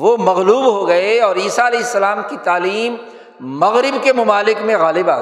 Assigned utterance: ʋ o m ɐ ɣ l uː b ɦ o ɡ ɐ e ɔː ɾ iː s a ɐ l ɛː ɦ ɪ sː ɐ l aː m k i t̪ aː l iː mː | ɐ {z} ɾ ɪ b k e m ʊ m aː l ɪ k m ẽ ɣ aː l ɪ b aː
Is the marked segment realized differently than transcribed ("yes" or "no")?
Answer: yes